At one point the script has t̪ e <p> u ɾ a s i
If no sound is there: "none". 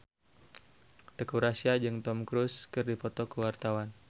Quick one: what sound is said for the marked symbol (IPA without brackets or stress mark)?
k